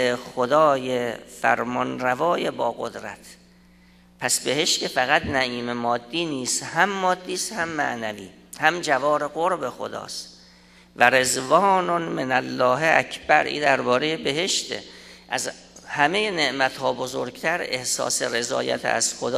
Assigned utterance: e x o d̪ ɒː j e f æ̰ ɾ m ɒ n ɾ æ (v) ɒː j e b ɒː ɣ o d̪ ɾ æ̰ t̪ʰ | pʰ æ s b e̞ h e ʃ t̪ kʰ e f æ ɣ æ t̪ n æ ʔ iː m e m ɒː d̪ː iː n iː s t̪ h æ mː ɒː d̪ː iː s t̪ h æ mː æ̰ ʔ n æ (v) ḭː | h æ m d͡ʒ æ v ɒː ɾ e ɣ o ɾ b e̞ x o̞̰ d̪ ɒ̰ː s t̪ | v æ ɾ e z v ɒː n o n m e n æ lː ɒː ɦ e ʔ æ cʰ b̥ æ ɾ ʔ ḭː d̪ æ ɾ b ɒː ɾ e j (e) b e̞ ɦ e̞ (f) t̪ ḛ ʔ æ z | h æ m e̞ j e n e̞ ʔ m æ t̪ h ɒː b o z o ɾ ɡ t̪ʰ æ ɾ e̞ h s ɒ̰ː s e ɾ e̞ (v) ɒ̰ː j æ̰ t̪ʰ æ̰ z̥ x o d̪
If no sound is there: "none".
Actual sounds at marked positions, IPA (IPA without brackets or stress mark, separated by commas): v, v, e, ʃ, z